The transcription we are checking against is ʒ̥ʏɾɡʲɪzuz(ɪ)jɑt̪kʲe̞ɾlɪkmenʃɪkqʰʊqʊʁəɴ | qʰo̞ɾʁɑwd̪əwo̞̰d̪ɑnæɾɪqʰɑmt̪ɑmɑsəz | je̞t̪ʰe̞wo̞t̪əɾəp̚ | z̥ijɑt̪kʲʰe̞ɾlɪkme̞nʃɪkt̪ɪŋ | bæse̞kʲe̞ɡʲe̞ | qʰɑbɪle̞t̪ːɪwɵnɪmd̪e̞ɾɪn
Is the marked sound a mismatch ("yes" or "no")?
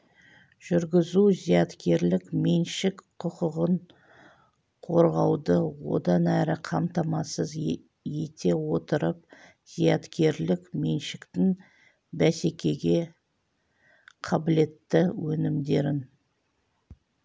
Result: yes